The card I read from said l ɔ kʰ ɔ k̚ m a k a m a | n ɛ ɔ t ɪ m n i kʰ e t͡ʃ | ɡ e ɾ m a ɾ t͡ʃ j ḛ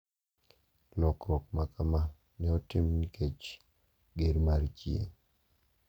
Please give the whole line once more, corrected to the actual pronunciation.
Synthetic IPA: l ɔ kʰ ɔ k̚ m a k a m a | n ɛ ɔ t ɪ m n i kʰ e t͡ʃ | ɡ e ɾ m a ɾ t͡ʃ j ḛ